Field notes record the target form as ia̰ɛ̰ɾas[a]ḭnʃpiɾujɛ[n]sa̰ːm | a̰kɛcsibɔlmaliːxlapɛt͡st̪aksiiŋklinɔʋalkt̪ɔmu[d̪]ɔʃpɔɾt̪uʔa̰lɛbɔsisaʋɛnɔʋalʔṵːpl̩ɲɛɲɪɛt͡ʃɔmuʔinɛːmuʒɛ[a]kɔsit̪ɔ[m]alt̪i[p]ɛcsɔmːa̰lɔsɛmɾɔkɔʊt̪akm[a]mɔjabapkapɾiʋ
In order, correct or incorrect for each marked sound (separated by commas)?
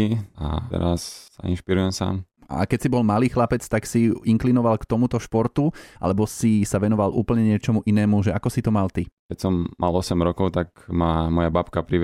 correct, incorrect, incorrect, correct, correct, incorrect, correct